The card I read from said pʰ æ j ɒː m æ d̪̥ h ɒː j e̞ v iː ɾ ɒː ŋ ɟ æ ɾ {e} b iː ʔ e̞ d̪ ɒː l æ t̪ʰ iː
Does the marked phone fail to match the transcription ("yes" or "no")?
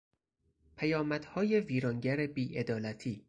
no